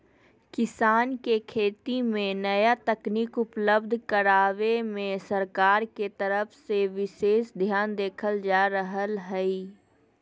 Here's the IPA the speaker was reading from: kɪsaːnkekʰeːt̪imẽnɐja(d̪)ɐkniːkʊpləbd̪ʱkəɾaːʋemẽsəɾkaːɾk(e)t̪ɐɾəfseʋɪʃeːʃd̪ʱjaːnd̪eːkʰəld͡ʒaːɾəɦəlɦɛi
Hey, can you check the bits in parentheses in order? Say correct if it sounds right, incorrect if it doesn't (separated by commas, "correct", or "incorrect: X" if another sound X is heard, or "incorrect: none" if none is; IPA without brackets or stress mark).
incorrect: t̪, correct